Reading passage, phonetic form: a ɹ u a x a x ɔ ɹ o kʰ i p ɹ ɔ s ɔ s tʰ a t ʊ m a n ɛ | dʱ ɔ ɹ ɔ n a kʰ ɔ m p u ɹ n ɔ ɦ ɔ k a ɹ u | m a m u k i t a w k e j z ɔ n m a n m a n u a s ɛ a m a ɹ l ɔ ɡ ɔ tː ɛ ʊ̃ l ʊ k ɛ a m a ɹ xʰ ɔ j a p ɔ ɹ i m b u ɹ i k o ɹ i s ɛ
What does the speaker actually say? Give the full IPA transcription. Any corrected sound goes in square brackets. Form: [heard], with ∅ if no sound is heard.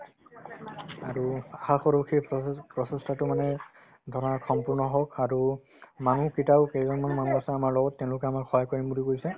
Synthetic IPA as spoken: a ɹ u a x a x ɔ ɹ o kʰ i p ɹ ɔ s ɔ s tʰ a t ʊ m a n ɛ | dʱ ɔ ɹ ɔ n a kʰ ɔ m p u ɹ n ɔ ɦ ɔ k a ɹ u | m a [n] u k i t a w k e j z ɔ n m a n m a n u a s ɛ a m a ɹ l ɔ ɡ ɔ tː ɛ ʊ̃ l ʊ k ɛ a m a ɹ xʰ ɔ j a [k] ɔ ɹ i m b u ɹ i k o ɹ i s ɛ